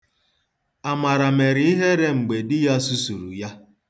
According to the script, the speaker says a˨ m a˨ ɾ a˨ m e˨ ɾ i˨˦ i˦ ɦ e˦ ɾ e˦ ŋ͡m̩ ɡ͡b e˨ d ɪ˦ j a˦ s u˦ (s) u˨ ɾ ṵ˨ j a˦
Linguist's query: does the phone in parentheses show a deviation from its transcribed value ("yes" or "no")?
no